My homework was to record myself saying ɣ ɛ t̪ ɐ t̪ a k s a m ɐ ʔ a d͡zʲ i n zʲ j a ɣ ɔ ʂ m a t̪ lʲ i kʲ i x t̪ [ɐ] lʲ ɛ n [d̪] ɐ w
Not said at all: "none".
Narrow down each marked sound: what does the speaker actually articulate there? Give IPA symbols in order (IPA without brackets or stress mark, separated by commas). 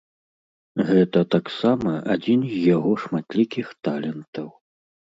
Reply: a, t̪